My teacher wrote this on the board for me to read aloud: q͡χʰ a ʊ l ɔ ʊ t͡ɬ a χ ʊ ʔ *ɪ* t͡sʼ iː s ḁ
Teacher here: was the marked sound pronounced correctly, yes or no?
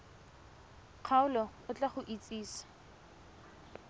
no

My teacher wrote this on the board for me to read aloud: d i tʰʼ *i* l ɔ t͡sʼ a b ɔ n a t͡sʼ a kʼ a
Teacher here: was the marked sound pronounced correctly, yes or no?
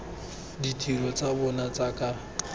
yes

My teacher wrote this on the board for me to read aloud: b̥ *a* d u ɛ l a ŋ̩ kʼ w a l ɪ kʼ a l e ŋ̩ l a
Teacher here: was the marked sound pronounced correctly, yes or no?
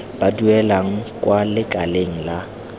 yes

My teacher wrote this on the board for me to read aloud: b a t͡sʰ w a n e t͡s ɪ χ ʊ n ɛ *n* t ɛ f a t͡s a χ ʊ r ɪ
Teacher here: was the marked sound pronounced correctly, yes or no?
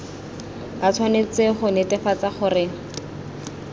no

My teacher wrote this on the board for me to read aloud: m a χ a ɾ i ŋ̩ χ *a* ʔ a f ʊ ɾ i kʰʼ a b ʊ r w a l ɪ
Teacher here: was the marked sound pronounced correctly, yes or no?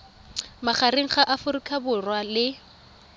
yes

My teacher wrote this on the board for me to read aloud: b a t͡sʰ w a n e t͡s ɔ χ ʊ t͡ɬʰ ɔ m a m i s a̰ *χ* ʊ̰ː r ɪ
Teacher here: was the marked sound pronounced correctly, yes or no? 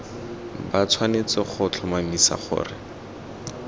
yes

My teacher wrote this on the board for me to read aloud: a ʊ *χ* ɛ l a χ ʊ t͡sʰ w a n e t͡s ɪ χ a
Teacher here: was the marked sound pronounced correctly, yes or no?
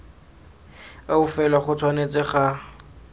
no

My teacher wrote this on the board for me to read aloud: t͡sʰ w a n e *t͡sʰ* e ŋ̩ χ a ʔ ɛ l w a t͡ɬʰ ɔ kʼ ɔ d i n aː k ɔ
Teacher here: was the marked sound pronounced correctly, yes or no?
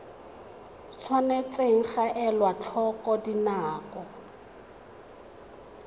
no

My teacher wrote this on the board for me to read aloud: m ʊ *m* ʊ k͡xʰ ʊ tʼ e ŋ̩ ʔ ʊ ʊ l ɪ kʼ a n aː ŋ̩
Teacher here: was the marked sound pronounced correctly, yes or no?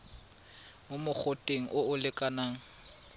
yes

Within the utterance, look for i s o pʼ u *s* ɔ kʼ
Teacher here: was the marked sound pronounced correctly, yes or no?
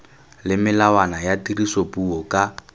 no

